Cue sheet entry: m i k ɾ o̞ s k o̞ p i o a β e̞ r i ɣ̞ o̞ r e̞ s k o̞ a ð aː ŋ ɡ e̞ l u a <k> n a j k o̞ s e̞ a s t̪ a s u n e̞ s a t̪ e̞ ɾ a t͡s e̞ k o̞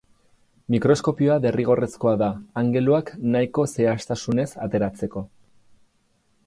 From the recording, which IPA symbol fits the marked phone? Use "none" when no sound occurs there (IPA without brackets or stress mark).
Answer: k